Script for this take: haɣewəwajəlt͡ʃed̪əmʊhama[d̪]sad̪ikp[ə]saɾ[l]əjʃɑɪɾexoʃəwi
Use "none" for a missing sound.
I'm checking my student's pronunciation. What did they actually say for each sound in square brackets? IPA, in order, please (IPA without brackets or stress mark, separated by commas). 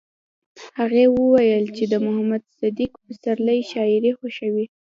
d̪, ə, l